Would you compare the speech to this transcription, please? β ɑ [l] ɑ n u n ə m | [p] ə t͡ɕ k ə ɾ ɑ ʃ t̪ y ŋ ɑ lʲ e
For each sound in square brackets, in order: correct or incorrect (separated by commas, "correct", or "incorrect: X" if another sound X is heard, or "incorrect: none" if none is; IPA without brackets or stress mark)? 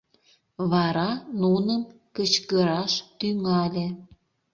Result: incorrect: ɾ, incorrect: k